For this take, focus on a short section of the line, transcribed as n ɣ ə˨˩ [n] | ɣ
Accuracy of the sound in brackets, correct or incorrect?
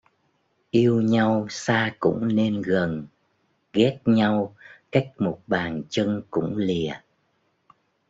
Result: correct